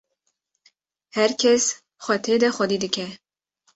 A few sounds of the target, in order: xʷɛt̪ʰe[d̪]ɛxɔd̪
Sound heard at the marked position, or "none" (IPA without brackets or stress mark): d̪